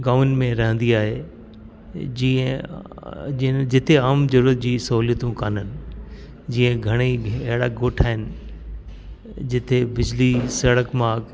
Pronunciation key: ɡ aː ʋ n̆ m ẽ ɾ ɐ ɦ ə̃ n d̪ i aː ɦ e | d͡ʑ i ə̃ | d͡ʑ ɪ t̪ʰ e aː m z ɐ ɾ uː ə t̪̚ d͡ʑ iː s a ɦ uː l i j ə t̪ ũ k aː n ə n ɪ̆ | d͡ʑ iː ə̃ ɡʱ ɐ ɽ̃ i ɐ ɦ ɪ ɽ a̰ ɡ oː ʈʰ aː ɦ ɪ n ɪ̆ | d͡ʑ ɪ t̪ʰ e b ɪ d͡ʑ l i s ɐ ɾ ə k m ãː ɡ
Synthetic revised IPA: ɡ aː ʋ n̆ m ẽ ɾ ɐ ɦ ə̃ n d̪ i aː ɦ e | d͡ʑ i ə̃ | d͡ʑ ɪ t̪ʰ e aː m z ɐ ɾ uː ə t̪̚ d͡ʑ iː s ɐ ɦ uː l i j ə t̪ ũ k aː n ə n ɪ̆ | d͡ʑ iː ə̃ ɡʱ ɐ ɽ̃ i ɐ ɦ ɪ ɽ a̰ ɡ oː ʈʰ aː ɦ ɪ n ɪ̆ | d͡ʑ ɪ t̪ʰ e b ɪ d͡ʑ l i s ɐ ɽ ə k m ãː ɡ